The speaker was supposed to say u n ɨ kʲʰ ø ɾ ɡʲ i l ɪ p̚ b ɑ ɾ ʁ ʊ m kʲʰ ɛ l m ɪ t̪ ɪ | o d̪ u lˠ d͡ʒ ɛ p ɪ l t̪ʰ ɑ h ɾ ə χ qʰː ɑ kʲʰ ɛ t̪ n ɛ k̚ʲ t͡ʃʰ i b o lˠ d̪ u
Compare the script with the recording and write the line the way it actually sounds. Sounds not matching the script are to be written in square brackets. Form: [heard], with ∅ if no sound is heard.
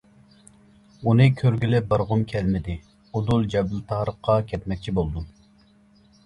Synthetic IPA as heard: u n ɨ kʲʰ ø ɾ ɡʲ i l ɪ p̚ b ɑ ɾ ʁ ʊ m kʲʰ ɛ l m ɪ [d̪] ɪ | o d̪ u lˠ d͡ʒ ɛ [b] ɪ l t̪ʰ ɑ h ɾ ə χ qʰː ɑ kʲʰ ɛ t̪ [m] ɛ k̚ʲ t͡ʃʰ i b o lˠ d̪ u